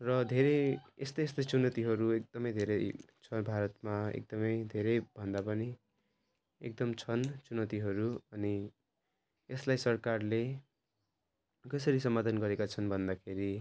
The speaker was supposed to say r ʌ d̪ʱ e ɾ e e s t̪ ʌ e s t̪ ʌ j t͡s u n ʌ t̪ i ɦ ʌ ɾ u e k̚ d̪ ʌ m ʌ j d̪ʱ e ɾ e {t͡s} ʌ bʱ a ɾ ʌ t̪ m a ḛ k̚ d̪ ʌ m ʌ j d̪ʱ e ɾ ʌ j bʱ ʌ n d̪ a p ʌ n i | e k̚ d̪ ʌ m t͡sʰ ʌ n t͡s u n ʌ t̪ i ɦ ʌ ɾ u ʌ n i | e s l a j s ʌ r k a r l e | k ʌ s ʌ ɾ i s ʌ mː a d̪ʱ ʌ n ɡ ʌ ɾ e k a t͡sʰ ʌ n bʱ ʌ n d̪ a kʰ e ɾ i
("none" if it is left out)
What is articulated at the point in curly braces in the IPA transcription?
t͡sʰ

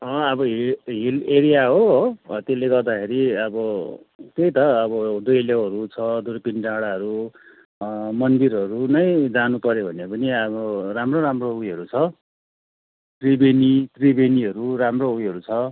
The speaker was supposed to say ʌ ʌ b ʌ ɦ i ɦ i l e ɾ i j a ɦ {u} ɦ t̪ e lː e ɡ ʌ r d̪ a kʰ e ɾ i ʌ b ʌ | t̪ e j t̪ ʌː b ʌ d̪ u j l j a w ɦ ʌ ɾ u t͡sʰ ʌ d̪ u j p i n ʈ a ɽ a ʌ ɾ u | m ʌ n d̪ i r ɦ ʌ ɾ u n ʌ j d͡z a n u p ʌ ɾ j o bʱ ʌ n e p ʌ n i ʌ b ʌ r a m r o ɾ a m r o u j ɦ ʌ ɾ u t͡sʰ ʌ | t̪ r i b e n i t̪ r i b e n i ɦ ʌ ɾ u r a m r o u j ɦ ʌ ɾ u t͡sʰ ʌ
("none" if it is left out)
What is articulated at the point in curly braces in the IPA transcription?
o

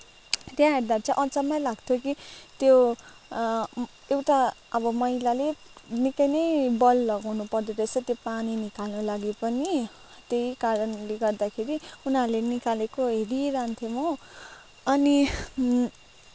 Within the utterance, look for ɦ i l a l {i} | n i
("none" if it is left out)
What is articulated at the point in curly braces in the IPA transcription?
e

